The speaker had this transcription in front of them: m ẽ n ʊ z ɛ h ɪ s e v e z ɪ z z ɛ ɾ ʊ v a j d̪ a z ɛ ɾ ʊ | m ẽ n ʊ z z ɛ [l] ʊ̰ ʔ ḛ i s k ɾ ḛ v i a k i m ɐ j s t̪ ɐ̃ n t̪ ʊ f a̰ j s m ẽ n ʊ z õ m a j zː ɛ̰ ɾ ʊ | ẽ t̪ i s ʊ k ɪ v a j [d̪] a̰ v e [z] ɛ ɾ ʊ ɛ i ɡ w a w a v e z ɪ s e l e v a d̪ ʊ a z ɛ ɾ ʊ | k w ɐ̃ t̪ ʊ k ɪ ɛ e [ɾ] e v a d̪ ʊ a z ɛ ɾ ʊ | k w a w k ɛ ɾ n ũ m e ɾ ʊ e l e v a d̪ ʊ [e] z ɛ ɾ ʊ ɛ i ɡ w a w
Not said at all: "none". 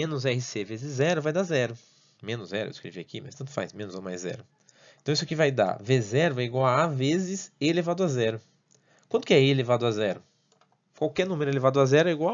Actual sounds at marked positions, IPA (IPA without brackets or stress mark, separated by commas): ɾ, d̪, z, l, a